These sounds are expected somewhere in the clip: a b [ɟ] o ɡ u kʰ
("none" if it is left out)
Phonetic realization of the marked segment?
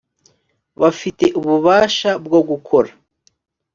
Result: ɡ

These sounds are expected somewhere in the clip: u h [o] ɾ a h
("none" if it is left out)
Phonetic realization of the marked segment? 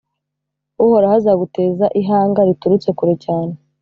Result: o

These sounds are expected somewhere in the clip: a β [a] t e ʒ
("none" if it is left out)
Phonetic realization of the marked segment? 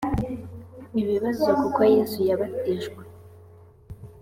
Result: a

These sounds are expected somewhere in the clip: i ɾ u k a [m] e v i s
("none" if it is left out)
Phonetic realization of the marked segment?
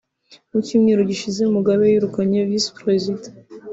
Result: ɲ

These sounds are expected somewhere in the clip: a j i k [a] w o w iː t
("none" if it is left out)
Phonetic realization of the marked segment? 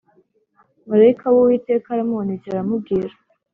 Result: a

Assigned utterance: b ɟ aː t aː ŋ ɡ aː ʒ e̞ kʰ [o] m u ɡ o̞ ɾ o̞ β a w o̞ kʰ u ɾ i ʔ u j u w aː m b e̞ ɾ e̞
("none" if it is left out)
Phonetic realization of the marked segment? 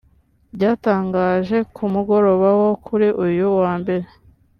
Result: u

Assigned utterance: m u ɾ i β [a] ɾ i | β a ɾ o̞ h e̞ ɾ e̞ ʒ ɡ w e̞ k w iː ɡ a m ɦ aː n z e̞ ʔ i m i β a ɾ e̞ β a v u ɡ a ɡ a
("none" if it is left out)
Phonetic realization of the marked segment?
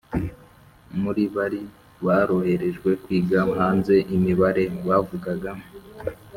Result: a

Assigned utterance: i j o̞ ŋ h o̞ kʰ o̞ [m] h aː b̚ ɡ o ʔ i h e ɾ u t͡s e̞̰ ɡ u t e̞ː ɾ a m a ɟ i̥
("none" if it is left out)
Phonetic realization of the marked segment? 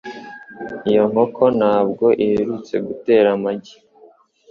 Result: n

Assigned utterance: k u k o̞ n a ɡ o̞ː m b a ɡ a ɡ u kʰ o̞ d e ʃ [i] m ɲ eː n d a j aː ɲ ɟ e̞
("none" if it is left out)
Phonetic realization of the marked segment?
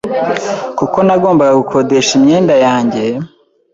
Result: i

